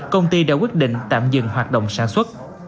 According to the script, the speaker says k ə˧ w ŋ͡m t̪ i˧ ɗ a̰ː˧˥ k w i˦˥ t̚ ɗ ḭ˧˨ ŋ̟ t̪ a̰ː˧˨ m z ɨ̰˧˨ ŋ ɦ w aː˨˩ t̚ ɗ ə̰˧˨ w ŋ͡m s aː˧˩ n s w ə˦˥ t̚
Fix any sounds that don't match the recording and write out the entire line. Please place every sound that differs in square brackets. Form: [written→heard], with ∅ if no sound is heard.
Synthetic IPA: k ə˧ w ŋ͡m t̪ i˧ ɗ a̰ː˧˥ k w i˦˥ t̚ ɗ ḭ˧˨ ŋ̟ t̪ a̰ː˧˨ m z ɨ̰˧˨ ŋ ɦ w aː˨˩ t̚ ɗ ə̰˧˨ w ŋ͡m s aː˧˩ n s w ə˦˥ t̚